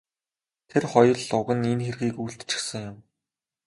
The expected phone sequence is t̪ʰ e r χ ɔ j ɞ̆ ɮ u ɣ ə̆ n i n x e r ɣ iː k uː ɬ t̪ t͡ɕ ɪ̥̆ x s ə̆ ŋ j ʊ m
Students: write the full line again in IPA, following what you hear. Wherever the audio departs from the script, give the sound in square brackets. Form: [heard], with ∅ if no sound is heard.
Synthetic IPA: t̪ʰ e r χ ɔ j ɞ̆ ɮ [ʊ] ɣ ə̆ n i n x e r ɣ iː k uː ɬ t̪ t͡ɕ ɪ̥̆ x s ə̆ ŋ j ʊ m